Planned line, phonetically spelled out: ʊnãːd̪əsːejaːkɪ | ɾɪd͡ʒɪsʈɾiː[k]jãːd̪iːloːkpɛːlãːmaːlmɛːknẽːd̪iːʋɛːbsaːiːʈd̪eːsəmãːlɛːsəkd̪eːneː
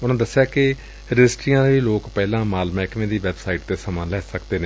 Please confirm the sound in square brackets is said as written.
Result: no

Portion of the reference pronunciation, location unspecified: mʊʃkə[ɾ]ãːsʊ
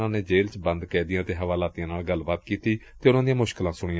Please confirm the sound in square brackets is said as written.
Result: no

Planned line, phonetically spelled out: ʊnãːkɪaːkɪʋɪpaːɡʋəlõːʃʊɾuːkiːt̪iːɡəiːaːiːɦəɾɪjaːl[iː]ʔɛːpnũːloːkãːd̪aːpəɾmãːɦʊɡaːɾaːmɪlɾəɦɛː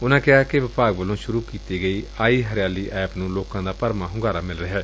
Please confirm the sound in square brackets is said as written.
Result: yes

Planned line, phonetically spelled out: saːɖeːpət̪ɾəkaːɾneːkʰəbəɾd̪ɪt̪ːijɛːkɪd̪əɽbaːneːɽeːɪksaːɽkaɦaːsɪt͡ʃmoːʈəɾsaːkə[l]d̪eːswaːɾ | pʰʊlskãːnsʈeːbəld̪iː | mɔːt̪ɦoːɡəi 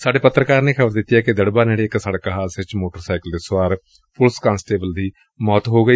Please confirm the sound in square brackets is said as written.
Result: yes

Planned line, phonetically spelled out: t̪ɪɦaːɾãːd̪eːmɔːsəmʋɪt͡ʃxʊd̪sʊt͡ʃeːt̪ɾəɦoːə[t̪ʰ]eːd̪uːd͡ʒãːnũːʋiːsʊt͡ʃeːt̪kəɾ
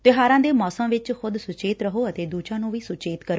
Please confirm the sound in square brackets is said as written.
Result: no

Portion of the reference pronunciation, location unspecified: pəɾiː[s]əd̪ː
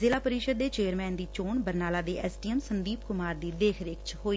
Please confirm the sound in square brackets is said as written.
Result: no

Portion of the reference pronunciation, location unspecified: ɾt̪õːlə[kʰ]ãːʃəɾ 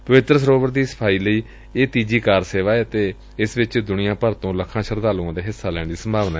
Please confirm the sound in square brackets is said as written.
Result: yes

